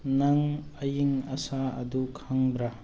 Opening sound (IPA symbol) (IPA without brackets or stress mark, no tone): n